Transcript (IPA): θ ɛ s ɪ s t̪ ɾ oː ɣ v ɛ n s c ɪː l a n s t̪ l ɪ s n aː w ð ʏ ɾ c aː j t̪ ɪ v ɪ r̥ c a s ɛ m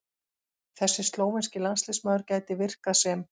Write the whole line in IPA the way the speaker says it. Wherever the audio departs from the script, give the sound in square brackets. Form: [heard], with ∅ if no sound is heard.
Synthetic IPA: θ ɛ [sː] ɪ s t̪ [l] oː [w] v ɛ n s c [ɪ] l a n s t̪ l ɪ s [m] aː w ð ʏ ɾ c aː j t̪ ɪ v ɪ r̥ [k] a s ɛ m

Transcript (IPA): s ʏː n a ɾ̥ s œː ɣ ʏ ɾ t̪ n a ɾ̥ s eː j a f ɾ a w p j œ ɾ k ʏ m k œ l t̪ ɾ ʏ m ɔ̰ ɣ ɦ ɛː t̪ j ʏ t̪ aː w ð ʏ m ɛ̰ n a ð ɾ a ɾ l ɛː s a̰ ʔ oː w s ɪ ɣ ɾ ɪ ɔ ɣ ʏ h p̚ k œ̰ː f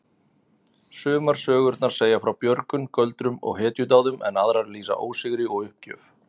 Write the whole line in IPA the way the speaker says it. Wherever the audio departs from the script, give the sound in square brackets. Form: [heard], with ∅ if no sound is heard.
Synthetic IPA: s ʏː [m] a ɾ̥ s œː ɣ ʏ ɾ t̪ n a ɾ̥ s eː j a f ɾ a w p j œ ɾ k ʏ m k œ l t̪ ɾ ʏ m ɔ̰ ɣ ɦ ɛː t̪ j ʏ t̪ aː w ð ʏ m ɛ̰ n a ð ɾ a ɾ l [iː] s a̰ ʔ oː w s ɪ ɣ ɾ ɪ ɔ ɣ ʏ h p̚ [c] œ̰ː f

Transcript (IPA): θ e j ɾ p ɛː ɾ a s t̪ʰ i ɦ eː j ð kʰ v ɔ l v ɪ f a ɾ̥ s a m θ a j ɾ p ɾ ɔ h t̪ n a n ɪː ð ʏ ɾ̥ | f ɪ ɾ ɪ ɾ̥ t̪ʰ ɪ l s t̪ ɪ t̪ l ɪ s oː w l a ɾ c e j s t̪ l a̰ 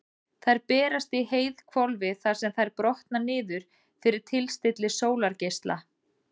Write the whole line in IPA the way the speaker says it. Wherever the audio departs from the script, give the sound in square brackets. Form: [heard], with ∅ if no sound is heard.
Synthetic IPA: θ [a] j ɾ p ɛː ɾ a s [t̪] i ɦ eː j ð kʰ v ɔ l v ɪ [θ] a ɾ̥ s [ɛ] m θ a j ɾ p ɾ ɔ h t̪ n a n ɪː ð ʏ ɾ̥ | f ɪ ɾ ɪ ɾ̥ t̪ʰ ɪ l s t̪ ɪ t̪ l ɪ s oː w l a ɾ c e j s t̪ l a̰

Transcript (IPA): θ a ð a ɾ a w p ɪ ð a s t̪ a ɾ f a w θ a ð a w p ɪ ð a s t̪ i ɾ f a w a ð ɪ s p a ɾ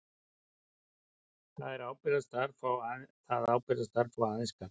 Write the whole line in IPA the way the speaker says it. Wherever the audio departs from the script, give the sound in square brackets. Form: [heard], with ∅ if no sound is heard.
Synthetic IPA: θ a ð [ɛ] ɾ a w p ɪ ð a s t̪ a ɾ f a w θ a ð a w p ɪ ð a s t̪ [a] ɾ f a w a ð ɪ s [k] a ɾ

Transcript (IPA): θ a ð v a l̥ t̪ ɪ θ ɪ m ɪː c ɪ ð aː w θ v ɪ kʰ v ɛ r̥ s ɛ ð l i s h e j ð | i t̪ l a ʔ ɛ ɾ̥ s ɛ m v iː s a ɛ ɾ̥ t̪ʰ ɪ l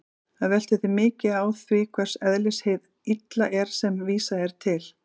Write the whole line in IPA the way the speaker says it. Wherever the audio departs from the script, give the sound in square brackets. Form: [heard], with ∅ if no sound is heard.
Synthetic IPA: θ a ð v [ɛ] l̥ t̪ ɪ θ ɪ m ɪː c ɪ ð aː w θ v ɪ kʰ v ɛ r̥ s ɛ ð l [ɪ] s h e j ð | i t̪ l a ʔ ɛ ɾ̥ s ɛ m v iː s a ɛ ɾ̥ t̪ʰ ɪ l

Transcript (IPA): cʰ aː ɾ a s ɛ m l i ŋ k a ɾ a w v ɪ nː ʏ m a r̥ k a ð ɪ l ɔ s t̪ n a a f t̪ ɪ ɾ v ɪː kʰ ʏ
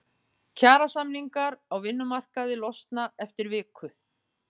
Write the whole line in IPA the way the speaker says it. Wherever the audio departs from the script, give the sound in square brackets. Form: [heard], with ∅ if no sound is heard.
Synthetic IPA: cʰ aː ɾ a s [a] m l i ŋ k a ɾ a w v ɪ nː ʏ m a r̥ k a ð ɪ l ɔ s t̪ n a [ɛ] f t̪ ɪ ɾ v ɪː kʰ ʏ

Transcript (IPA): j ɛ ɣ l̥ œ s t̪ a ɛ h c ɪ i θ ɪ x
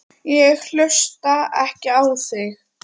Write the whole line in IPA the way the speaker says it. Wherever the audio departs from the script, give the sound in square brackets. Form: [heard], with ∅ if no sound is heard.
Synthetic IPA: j ɛ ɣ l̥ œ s t̪ a ɛ h c ɪ [a] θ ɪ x

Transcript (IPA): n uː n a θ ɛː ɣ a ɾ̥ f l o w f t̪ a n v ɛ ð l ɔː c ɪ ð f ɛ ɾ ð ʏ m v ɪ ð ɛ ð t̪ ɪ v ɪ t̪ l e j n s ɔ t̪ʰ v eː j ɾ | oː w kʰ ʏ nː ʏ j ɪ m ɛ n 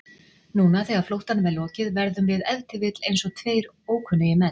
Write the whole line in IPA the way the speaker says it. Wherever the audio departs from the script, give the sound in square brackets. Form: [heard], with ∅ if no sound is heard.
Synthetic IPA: n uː n a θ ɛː ɣ a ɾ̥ f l o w [h] t̪ a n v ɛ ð l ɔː c ɪ ð [v] ɛ ɾ ð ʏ m v ɪ ð ɛ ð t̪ ɪ v ɪ t̪ l e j n s ɔ t̪ʰ v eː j ɾ | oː w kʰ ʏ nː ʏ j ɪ m ɛ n

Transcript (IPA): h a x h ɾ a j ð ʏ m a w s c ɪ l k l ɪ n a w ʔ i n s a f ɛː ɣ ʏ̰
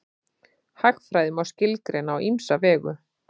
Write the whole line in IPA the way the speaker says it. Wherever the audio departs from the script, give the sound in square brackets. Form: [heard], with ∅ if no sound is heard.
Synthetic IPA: h a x [f] ɾ a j ð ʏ m a w s c ɪ l k [ɾ] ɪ n a w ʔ i [m] s a [v] ɛː ɣ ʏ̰

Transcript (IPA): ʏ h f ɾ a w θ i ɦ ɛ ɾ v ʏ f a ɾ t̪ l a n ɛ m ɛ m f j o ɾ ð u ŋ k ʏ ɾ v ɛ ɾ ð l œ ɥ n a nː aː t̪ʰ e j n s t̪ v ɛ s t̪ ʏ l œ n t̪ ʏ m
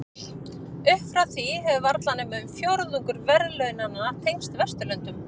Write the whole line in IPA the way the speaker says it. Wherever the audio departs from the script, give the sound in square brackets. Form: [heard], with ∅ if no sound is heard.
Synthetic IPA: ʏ h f ɾ a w θ i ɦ ɛ [∅] v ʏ [v] a ɾ t̪ l a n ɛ m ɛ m f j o ɾ ð u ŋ k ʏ ɾ v ɛ ɾ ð l œ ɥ n a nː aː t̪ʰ e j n s t̪ v ɛ s t̪ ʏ l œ n t̪ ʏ m

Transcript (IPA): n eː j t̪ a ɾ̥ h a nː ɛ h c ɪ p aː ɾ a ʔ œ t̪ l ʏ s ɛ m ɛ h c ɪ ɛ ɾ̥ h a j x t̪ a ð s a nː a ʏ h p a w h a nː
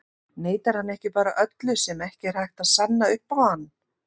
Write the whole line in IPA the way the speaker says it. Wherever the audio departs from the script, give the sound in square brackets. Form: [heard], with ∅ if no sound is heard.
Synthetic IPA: n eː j t̪ a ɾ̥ h a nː ɛ h c ɪ p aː ɾ a ʔ œ t̪ l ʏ s ɛ m ɛ h c ɪ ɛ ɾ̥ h a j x t̪ a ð s a nː a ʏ h p a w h a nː

